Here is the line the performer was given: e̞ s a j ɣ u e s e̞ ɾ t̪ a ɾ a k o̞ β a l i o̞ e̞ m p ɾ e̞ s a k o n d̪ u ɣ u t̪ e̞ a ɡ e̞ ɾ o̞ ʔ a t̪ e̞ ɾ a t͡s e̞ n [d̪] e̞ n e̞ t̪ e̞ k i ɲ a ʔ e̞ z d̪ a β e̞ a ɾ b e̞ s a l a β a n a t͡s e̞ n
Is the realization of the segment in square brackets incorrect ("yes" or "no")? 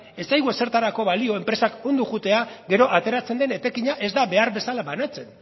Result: no